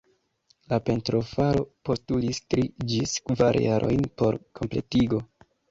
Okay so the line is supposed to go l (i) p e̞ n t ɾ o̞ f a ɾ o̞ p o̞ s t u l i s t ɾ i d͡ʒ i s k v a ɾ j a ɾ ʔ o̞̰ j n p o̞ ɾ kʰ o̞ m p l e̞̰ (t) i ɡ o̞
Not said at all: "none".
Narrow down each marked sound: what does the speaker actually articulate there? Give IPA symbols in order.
a, t

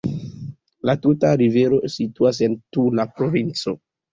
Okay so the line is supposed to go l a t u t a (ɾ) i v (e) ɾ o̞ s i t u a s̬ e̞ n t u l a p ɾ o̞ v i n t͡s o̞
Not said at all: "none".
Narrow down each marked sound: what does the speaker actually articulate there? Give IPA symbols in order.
ɾ, e

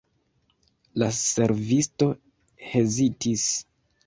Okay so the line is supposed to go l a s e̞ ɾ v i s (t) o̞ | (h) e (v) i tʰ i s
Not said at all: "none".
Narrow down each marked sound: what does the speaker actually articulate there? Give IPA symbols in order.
t, h, z

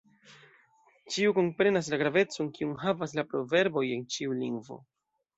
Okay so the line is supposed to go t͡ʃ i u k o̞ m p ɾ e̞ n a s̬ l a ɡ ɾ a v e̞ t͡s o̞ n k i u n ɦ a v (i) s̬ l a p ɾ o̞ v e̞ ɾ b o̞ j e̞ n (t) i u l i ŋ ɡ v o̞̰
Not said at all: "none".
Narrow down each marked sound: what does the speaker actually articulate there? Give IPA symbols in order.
a, t͡ʃ

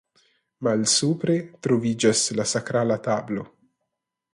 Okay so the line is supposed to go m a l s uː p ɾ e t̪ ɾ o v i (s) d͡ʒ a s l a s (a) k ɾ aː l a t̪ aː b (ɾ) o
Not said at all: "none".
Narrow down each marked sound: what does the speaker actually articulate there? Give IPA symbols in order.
none, a, l

